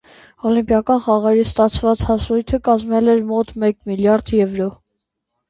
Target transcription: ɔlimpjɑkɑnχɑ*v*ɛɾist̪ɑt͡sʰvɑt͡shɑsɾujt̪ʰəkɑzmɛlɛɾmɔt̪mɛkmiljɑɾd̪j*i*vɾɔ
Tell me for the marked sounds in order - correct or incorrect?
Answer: incorrect: ʁ, incorrect: ɛ

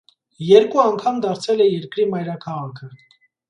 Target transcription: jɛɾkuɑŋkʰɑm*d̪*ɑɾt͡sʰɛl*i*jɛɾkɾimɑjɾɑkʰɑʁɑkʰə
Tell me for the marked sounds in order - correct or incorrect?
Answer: correct, incorrect: ɛ

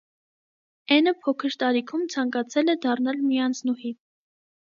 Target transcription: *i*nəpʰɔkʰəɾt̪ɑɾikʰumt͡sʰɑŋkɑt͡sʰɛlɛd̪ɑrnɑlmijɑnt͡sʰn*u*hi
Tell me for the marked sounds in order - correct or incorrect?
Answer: incorrect: ɛ, correct

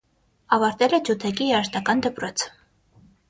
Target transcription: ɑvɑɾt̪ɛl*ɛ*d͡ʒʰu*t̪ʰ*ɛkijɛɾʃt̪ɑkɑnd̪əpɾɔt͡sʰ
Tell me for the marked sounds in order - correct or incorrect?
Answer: correct, correct

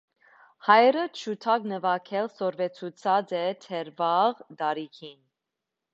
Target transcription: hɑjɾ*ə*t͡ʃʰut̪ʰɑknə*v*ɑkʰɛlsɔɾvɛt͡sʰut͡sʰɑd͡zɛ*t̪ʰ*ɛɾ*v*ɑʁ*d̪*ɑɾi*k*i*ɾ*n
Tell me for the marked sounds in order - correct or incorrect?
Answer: correct, correct, correct, correct, correct, incorrect: kʰ, incorrect: none

